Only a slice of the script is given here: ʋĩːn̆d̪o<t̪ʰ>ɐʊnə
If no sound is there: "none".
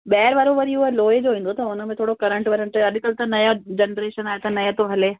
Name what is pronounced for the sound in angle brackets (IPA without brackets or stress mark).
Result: t̪